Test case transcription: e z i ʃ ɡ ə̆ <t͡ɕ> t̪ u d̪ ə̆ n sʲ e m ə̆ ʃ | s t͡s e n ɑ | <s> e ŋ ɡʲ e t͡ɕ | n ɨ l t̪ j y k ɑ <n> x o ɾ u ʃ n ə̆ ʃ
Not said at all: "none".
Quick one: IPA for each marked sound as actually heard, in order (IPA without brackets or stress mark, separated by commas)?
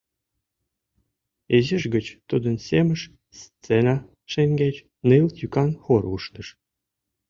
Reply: t͡ɕ, ʃ, n